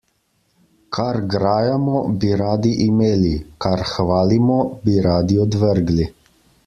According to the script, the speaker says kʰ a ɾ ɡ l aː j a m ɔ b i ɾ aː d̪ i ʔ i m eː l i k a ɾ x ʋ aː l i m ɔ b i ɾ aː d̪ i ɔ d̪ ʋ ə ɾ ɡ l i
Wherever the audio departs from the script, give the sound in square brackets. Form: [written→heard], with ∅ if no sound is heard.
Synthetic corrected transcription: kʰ a ɾ ɡ [l→ɾ] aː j a m ɔ b i ɾ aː d̪ i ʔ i m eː l i k a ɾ x ʋ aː l i m ɔ b i ɾ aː d̪ i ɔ d̪ ʋ ə ɾ ɡ l i